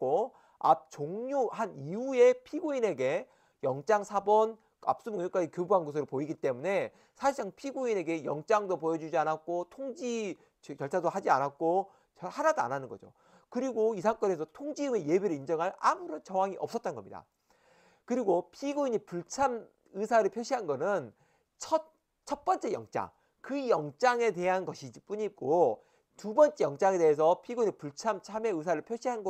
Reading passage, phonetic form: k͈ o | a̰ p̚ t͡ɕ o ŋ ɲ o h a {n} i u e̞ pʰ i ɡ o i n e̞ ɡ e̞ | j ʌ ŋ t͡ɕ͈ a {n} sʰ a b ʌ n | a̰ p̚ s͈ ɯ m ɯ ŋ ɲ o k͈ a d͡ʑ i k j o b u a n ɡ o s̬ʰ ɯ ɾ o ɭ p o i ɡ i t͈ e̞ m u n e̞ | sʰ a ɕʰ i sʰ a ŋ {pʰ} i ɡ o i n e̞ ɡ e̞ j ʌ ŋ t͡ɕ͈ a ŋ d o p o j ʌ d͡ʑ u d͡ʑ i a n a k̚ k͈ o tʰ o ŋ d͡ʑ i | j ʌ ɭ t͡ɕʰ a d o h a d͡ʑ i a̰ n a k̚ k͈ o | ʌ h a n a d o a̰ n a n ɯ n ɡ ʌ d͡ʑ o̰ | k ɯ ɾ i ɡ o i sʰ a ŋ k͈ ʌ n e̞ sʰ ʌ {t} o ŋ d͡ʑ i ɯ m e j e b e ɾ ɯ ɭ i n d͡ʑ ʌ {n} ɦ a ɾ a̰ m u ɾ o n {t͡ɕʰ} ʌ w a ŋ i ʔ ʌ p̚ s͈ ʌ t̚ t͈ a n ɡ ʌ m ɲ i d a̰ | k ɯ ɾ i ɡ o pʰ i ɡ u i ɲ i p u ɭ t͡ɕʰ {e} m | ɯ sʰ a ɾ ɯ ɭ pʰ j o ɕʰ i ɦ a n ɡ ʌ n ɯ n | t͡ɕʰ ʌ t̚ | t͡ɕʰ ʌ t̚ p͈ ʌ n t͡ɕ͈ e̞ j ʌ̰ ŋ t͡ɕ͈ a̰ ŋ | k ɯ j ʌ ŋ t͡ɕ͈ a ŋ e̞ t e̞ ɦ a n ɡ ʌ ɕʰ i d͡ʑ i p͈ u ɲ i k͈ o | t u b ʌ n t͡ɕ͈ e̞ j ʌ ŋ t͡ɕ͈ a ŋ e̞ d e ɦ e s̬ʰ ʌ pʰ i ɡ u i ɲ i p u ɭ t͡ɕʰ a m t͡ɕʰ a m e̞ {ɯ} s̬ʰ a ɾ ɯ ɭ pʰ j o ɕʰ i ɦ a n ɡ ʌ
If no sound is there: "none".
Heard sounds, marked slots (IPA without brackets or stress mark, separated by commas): n, ŋ, pʰ, tʰ, ŋ, t͡ɕ, a, ɯ